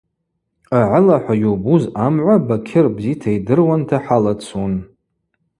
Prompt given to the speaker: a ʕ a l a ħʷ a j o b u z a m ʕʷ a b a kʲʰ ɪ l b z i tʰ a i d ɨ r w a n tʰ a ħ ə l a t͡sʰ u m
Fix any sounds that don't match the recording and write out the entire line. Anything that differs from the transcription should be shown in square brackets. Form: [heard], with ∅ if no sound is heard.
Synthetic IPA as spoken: a ʕ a l a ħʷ a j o b u z a m ʕʷ a b a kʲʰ ɪ [r] b z i tʰ a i d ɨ r w a n tʰ a ħ [a] l a t͡sʰ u [n]